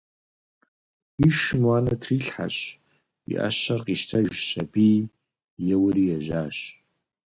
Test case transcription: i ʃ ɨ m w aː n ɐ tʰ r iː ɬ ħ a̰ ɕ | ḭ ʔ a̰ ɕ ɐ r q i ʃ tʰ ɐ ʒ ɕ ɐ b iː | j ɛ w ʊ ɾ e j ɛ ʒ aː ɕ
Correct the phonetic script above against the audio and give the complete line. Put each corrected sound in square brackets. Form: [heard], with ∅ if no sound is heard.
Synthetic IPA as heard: i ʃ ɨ m w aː n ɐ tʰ r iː ɬ ħ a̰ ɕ | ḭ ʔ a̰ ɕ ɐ r q i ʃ tʰ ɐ ʒ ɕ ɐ b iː | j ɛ w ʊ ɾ [i] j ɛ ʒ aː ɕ